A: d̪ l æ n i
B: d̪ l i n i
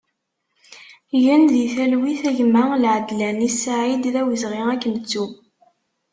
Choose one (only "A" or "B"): A